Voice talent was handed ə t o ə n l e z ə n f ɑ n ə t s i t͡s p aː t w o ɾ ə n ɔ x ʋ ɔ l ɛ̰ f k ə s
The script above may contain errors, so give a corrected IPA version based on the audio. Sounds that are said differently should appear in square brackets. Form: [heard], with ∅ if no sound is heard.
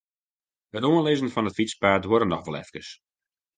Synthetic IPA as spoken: ə t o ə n l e z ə n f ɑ n ə t [f] i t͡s p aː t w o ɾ ə n ɔ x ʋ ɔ l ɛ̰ f k ə s